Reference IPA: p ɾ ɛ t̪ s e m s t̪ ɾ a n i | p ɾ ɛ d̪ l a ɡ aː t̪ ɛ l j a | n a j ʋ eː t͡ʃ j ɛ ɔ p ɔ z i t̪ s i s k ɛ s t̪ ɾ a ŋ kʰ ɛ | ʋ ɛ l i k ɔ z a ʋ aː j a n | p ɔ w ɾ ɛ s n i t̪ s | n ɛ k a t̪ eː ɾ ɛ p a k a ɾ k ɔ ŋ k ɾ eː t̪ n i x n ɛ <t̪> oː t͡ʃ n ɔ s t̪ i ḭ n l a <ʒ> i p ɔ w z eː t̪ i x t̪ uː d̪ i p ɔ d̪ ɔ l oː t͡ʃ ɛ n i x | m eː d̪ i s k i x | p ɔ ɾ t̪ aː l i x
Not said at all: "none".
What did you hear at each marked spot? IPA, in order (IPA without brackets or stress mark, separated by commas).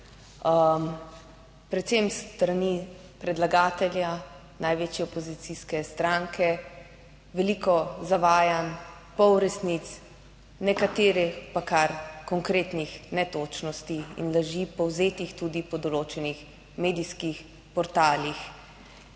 t̪, ʒ